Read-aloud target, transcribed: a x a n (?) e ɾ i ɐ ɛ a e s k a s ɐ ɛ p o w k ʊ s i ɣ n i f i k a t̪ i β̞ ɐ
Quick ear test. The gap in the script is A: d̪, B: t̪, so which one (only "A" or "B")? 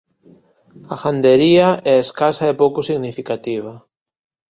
A